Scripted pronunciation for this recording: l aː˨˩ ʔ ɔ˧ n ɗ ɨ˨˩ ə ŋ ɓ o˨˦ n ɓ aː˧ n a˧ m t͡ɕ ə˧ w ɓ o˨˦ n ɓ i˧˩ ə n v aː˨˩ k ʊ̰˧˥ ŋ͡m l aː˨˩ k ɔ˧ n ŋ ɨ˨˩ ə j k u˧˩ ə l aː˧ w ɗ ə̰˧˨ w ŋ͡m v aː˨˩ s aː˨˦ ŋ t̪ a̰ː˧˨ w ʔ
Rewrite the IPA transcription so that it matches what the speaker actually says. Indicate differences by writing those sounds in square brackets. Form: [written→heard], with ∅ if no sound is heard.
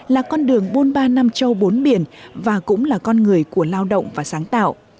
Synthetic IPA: l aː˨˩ [ʔ→k] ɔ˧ n ɗ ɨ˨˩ ə ŋ ɓ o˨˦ n ɓ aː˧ n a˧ m t͡ɕ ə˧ w ɓ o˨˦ n ɓ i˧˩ ə n v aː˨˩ k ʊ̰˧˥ ŋ͡m l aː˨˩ k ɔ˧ n ŋ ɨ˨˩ ə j k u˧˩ ə l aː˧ w ɗ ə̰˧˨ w ŋ͡m v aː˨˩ s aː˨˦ ŋ t̪ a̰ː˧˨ w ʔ